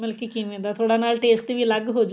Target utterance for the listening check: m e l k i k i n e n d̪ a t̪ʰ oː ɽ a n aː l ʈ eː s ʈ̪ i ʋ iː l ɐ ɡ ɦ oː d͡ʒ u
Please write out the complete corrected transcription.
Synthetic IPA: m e l k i k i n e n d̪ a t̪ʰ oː ɽ a n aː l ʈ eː s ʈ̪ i ʋ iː l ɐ ɡ ɦ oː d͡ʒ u